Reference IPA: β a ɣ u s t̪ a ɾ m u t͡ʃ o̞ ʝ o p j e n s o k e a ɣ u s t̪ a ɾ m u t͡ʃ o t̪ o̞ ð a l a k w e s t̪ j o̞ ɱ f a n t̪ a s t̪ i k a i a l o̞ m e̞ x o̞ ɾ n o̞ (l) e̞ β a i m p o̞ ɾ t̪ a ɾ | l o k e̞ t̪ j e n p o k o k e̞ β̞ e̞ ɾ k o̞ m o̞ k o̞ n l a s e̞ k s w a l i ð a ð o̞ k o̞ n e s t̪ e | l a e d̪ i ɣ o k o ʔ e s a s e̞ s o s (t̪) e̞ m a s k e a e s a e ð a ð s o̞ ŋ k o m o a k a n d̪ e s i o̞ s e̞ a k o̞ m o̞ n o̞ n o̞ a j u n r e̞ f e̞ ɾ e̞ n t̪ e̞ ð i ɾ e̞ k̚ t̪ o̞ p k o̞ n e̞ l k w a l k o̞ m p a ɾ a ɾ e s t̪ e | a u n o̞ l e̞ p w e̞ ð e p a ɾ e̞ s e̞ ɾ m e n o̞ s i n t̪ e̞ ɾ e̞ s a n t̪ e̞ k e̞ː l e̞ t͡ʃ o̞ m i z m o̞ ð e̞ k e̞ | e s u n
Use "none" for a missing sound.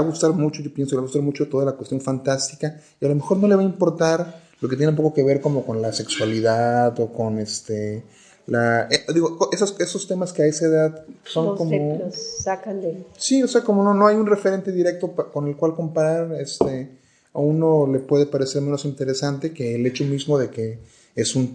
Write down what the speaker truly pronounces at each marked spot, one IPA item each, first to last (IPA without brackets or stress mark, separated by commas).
l, t̪